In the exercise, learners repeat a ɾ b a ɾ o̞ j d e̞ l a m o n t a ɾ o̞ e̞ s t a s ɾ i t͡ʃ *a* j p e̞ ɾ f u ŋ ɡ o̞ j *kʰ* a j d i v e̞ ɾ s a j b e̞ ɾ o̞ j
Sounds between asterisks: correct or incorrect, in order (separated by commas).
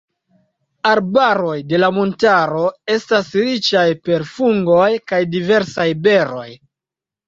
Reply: correct, incorrect